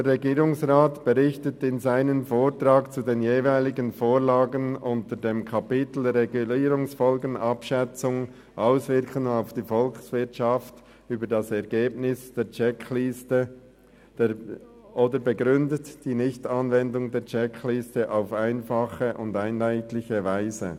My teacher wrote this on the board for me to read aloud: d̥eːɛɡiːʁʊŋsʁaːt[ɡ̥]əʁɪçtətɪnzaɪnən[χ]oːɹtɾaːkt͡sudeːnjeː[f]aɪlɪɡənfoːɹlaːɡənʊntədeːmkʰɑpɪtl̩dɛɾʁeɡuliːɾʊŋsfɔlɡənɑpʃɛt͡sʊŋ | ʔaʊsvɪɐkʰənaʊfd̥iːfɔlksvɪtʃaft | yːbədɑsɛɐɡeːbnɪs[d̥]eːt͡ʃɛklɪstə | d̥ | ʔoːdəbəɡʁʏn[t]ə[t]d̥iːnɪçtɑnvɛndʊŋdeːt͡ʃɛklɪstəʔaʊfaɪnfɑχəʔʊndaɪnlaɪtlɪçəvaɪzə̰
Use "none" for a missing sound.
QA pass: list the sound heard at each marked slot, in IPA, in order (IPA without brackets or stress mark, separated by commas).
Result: b̥, f, v, d̥, d, t